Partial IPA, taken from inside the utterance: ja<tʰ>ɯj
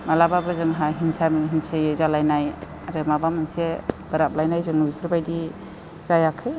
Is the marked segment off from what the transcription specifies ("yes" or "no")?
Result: yes